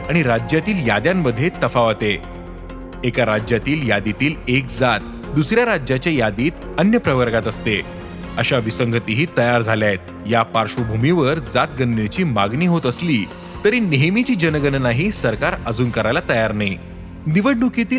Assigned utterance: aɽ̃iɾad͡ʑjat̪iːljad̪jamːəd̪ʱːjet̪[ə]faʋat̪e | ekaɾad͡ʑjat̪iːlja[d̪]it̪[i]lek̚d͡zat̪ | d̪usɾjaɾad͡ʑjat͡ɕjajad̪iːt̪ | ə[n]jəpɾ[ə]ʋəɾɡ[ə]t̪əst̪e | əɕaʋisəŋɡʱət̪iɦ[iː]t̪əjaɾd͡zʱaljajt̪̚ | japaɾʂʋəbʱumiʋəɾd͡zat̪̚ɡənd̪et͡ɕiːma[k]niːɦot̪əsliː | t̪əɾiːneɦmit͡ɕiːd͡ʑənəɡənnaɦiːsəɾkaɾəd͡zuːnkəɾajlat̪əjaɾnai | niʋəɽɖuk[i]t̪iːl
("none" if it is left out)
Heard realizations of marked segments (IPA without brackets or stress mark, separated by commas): ə, d̪, iː, n, ə, a, iː, ɡ, i